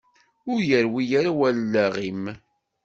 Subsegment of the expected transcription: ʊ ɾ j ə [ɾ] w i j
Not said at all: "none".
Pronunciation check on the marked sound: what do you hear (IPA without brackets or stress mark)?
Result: ɾ